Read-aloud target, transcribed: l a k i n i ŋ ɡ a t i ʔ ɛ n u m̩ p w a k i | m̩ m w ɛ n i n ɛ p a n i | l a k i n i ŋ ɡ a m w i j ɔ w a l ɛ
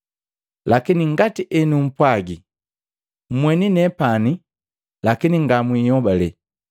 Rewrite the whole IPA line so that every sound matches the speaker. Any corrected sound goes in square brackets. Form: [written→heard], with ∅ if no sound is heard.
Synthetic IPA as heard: l a k i n i ŋ ɡ a t i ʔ ɛ n u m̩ p w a [k→ɡ] i | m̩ m w ɛ n i n ɛ p a n i | l a k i n i ŋ ɡ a m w i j ɔ [w→b] a l ɛ

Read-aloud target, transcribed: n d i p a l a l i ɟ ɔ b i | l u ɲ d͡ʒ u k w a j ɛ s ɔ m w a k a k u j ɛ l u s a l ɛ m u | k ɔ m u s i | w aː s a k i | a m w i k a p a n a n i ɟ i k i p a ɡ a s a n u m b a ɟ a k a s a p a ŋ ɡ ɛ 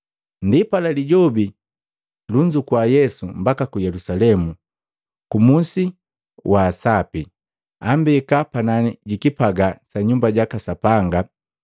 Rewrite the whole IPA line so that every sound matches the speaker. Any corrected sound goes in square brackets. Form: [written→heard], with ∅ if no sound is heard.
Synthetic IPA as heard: n d i p a l a l i ɟ ɔ b i | l u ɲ d͡ʒ u k w a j ɛ s [ɔ→u] m [w→b] a k a k u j ɛ l u s a l ɛ m u | k [ɔ→u] m u s i | w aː s a [k→p] i | a m [w→b] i k a p a n a n i ɟ i k i p a ɡ a s a [n→ɲ] u m b a ɟ a k a s a p a ŋ ɡ [ɛ→a]

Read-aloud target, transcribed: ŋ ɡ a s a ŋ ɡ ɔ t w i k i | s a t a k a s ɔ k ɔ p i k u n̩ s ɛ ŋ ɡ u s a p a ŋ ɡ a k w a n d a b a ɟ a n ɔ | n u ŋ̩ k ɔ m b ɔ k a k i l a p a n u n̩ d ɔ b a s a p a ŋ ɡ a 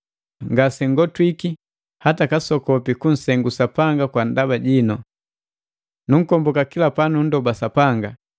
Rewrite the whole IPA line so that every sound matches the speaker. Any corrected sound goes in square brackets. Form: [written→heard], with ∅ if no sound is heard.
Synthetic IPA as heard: ŋ ɡ a s [a→ɛ] ŋ ɡ ɔ t w i k i | [s→h] a t a k a s ɔ k ɔ p i k u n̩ s ɛ ŋ ɡ u s a p a ŋ ɡ a k w a n d a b a ɟ [a→i] n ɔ | n u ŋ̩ k ɔ m b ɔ k a k i l a p a n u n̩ d ɔ b a s a p a ŋ ɡ a

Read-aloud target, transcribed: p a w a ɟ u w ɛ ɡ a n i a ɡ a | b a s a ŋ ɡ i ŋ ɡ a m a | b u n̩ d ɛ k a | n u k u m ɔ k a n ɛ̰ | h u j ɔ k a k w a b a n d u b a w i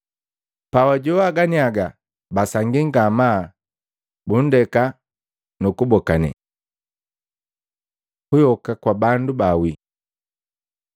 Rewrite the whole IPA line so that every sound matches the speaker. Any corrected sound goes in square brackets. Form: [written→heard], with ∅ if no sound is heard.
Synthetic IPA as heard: p a w a ɟ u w [ɛ→a] ɡ a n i a ɡ a | b a s a ŋ ɡ i ŋ ɡ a m a | b u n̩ d ɛ k a | n u k u [m→b] ɔ k a n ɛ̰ | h u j ɔ k a k w a b a n d u b a w i

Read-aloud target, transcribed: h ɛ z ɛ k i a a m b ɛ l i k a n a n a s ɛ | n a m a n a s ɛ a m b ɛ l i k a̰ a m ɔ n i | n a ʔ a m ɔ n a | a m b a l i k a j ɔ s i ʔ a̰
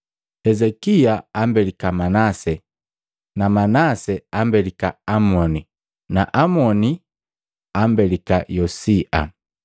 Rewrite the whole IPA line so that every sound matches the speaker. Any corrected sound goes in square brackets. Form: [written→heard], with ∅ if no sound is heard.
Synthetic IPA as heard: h ɛ z ɛ k i a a m b ɛ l i k a [n→m] a n a s ɛ | n a m a n a s ɛ a m b ɛ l i k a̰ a m ɔ n i | n a ʔ a m ɔ n [a→i] | a m b [a→ɛ] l i k a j ɔ s i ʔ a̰

